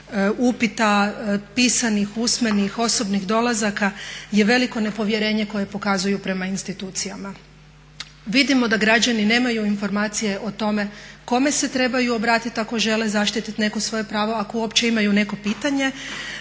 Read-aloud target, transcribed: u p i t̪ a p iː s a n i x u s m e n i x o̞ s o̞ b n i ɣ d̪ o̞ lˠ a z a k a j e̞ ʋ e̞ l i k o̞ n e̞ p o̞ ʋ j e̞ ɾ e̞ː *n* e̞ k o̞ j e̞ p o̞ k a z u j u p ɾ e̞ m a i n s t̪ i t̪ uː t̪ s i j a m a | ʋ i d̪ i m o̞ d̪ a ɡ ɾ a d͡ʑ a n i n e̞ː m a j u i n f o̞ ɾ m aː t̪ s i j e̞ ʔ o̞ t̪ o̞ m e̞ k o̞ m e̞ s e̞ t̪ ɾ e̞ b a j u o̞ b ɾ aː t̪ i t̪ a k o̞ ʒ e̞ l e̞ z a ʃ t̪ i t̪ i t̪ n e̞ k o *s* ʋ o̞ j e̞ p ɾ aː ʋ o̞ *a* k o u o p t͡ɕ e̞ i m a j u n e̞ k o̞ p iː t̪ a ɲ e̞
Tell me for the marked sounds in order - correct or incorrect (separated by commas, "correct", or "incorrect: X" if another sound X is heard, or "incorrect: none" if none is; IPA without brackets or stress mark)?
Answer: incorrect: ɲ, correct, correct